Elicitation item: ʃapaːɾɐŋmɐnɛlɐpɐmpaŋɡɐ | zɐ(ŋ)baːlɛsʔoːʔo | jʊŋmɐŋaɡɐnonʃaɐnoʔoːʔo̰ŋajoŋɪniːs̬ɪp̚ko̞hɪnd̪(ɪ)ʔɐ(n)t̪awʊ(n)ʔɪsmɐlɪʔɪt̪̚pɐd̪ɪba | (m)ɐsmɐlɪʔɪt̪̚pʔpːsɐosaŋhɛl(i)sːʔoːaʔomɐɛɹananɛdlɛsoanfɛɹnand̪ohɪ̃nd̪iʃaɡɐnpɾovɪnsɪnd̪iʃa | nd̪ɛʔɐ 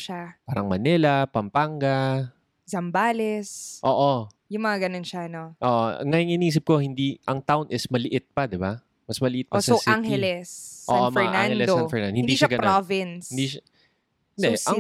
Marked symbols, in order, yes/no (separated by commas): no, no, no, yes, yes, no